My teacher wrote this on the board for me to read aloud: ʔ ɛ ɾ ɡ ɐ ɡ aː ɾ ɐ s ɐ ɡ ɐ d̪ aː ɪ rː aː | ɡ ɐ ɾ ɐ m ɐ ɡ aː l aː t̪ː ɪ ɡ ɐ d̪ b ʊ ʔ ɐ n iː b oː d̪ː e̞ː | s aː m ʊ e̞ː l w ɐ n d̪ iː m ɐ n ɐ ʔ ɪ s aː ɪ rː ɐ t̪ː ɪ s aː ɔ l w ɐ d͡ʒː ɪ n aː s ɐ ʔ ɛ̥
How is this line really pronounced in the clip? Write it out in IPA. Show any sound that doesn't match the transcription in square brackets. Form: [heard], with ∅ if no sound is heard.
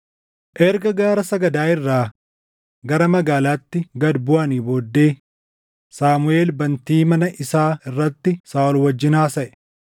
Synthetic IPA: ʔ ɛ ɾ ɡ ɐ ɡ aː ɾ ɐ s ɐ ɡ ɐ d̪ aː ɪ rː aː | ɡ ɐ ɾ ɐ m ɐ ɡ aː l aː t̪ː ɪ ɡ ɐ d̪ b ʊ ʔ ɐ n iː b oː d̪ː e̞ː | s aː m ʊ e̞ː l [b] ɐ n [t̪] iː m ɐ n ɐ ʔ ɪ s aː ɪ rː ɐ t̪ː ɪ s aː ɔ l w ɐ d͡ʒː ɪ n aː s ɐ ʔ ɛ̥